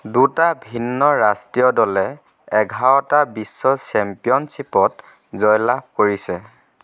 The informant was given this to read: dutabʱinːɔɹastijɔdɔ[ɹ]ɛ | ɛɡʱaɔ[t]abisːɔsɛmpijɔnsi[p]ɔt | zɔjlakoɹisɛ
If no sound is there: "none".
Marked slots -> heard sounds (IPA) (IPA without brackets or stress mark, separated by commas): l, t, p